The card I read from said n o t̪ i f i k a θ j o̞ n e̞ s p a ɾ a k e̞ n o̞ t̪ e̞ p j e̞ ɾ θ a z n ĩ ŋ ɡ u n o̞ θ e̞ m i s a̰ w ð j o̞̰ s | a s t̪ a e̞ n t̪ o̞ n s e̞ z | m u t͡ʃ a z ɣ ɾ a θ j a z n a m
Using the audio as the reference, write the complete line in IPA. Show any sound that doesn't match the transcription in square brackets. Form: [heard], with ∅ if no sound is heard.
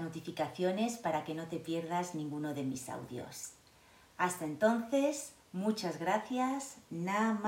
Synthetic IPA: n o t̪ i f i k a θ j o̞ n e̞ s p a ɾ a k e̞ n o̞ t̪ e̞ p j e̞ ɾ [ð] a z n ĩ ŋ ɡ u n o̞ [ð] e̞ m i s a̰ w ð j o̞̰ s | a s t̪ a e̞ n t̪ o̞ n [θ] e̞ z | m u t͡ʃ a z ɣ ɾ a θ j a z n a m